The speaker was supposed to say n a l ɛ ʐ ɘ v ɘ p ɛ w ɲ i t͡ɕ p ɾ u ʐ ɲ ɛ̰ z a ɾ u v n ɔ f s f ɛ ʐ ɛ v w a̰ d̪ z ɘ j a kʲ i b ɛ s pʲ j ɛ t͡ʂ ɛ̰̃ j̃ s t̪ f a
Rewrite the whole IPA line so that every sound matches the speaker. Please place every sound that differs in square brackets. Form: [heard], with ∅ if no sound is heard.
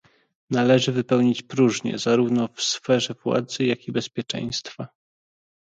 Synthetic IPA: n a l ɛ ʐ ɘ v ɘ p ɛ w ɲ i t͡ɕ p ɾ u ʐ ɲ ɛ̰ z a ɾ u v n ɔ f s f ɛ ʐ ɛ v w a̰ d̪ z ɘ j a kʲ i b ɛ s pʲ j ɛ t͡ʂ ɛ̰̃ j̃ s t̪ f a